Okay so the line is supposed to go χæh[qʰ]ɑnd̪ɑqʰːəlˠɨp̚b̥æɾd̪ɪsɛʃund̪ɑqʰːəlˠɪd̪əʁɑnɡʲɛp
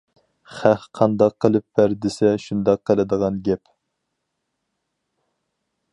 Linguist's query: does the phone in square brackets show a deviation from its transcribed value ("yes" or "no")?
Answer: no